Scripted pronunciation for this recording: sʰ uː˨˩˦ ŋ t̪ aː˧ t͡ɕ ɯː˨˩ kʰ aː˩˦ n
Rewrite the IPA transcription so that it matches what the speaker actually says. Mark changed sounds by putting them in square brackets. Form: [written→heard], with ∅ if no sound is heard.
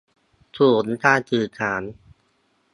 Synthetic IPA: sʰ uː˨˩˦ [ŋ→n] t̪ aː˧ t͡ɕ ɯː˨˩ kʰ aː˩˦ n

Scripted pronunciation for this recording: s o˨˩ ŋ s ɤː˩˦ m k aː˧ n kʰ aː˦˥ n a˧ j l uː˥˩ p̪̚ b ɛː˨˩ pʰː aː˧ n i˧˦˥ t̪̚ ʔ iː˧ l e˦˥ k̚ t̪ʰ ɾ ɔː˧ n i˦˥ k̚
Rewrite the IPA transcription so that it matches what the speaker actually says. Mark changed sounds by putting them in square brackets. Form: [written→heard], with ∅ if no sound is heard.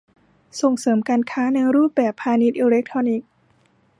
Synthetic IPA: s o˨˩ ŋ s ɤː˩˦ m k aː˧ n kʰ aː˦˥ n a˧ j [l→ɾ] uː˥˩ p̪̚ b ɛː˨˩ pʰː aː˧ n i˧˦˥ t̪̚ ʔ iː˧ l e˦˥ k̚ t̪ʰ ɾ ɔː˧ n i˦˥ k̚

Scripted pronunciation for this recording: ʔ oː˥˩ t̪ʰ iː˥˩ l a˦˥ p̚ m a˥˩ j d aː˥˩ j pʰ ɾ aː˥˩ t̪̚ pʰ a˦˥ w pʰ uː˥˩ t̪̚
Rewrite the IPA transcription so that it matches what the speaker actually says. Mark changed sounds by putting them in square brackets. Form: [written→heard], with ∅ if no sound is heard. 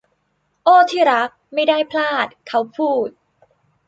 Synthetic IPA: ʔ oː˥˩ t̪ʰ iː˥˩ [l→ɾ] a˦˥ [p̚→k̚] m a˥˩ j d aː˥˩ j pʰ [ɾ→l] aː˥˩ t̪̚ [pʰ→kʰ] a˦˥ w pʰ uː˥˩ t̪̚

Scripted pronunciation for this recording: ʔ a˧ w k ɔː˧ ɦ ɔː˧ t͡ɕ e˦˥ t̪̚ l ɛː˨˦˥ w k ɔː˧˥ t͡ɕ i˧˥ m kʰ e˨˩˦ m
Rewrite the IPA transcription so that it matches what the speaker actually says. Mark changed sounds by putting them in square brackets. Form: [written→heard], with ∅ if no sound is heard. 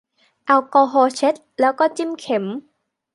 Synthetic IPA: ʔ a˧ w k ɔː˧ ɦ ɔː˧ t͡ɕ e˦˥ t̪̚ l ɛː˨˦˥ w k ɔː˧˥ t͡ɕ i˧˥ m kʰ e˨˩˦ m

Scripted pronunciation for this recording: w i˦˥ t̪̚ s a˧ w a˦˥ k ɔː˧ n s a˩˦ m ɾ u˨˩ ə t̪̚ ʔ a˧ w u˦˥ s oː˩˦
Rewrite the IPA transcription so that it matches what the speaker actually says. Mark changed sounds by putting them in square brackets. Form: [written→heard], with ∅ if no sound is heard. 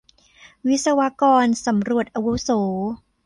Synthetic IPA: w i˦˥ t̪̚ s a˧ w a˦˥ k ɔː˧ n s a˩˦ m ɾ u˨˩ ə t̪̚ ʔ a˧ w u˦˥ s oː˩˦

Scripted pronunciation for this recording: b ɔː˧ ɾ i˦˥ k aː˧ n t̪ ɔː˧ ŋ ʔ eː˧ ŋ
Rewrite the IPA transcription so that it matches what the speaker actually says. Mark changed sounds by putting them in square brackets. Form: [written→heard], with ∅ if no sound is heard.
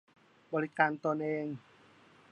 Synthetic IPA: b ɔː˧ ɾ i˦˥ k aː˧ n t̪ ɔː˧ [ŋ→n] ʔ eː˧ ŋ

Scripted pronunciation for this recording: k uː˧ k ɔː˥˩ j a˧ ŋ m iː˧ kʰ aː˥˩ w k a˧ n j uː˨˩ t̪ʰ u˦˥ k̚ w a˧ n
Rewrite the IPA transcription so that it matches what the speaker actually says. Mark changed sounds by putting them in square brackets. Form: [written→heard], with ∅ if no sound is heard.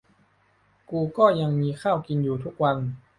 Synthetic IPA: k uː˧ k ɔː˥˩ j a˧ ŋ m iː˧ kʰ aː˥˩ w k [a˧→i˧] n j uː˨˩ t̪ʰ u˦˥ k̚ w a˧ n

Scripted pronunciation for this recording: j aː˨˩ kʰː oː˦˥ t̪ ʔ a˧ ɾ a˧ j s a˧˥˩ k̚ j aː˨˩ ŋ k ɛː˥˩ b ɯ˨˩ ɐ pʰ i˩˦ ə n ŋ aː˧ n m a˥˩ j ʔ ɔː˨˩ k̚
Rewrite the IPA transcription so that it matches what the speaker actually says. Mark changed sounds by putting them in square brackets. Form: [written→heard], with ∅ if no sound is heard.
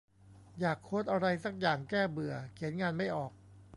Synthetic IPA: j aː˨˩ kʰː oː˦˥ t̪ ʔ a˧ ɾ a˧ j s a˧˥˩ k̚ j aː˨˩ ŋ k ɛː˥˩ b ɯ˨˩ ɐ [pʰ→kʰ] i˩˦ ə n ŋ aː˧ n m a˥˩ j ʔ ɔː˨˩ k̚

